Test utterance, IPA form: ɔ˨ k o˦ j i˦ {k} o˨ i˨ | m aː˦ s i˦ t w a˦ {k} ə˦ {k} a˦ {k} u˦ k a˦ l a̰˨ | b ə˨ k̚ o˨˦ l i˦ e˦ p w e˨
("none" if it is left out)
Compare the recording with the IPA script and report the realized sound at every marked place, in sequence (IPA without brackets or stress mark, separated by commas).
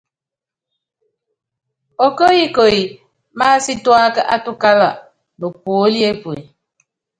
k, k, ʔ, t